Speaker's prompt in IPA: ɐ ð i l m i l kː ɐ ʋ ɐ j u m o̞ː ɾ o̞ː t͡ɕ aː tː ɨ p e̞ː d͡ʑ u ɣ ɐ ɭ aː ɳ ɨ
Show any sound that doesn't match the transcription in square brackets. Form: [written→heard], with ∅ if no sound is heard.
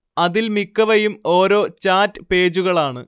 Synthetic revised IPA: ɐ ð i l m i [l→∅] kː ɐ ʋ ɐ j u m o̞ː ɾ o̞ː t͡ɕ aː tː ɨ p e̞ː d͡ʑ u ɣ ɐ ɭ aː ɳ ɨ